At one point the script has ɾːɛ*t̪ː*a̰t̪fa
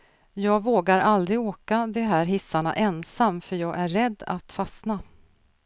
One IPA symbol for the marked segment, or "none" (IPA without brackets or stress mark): d̪ː